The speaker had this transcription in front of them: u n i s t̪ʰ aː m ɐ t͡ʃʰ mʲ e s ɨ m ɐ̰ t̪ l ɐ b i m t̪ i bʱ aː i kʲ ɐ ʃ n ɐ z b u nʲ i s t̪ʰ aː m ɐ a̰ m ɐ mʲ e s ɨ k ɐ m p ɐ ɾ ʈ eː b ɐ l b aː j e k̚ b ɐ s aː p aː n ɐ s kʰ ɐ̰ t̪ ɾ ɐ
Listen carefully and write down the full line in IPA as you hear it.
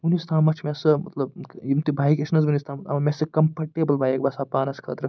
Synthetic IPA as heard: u n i s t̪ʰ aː m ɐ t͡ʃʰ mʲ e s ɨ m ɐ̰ t̪ l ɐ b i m t̪ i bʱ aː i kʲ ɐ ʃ n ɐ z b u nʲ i s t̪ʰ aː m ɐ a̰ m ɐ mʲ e s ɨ k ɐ m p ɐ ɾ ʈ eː b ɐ l b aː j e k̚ b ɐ s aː p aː n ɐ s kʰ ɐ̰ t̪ ɾ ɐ